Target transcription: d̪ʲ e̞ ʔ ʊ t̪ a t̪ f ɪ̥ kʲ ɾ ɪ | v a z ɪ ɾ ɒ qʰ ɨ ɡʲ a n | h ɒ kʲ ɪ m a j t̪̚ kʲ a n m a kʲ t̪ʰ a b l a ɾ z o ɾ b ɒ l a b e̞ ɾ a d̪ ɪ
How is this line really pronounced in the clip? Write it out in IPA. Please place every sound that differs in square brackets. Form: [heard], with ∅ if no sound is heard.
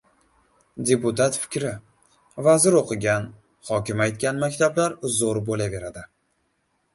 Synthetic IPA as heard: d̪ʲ e̞ [p] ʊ t̪ a t̪ f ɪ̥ kʲ ɾ ɪ | v a z ɪ ɾ [o] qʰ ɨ ɡʲ a n | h ɒ kʲ ɪ m a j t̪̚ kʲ a n m a kʲ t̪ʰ a b l a ɾ z o ɾ b [o] l a [v] e̞ ɾ a d̪ ɪ